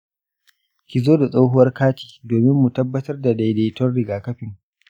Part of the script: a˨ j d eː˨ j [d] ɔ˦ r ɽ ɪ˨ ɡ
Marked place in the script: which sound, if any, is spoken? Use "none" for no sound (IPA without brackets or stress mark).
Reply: t